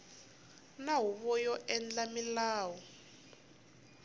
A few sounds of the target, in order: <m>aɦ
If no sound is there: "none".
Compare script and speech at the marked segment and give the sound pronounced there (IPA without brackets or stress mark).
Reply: n